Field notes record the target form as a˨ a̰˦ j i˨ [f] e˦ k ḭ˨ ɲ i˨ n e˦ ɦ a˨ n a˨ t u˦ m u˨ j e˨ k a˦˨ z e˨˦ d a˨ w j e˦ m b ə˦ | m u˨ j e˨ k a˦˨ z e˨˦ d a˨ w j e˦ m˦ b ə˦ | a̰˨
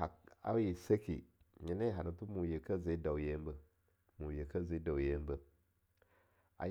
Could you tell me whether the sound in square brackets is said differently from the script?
yes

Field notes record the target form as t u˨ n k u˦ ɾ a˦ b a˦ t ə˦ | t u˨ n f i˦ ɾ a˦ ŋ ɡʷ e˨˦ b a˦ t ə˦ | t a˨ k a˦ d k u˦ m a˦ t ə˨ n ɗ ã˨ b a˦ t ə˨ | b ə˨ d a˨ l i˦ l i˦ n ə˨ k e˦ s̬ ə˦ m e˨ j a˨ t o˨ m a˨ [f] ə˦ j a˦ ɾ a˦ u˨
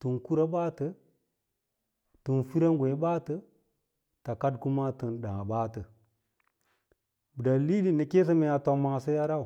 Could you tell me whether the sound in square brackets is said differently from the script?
yes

